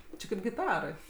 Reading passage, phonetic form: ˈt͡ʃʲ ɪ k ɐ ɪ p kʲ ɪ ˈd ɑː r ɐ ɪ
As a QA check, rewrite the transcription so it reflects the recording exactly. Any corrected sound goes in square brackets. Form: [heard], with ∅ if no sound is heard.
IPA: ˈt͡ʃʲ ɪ k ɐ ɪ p [ɡʲ] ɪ [ˈt] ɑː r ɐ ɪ